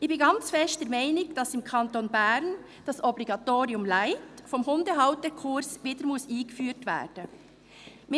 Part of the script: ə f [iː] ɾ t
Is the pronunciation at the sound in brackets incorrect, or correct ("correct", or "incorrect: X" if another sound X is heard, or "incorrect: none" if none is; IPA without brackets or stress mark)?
incorrect: yː